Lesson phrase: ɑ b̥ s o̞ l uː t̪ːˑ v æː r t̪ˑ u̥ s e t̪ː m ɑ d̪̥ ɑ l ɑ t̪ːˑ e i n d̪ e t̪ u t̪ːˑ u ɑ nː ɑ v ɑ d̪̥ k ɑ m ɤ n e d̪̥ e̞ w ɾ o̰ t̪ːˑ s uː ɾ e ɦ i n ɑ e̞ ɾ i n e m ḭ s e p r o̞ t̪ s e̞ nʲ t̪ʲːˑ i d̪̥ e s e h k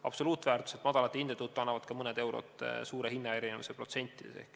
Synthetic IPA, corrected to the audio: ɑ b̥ s o̞ l uː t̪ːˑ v æː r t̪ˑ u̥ s e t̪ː m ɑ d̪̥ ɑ l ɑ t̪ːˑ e i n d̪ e t̪ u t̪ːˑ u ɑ nː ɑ v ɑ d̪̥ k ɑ m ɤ n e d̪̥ e̞ w ɾ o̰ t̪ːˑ s uː ɾ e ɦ i nː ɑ e̞ ɾ i n e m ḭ s e p r o̞ t̪ s e̞ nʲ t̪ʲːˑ i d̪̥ e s e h k